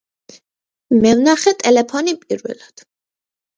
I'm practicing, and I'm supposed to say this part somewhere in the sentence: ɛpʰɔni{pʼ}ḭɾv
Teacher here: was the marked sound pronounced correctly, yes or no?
yes